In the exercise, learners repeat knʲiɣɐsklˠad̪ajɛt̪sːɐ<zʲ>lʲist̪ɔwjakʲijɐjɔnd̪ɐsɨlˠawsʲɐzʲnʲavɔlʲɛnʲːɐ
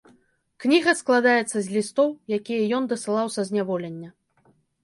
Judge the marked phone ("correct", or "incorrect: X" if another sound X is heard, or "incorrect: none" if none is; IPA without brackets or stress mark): correct